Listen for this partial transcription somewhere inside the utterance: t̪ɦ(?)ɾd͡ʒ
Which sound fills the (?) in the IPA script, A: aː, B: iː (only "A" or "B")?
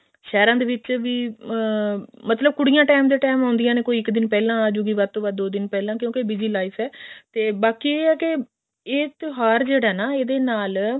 A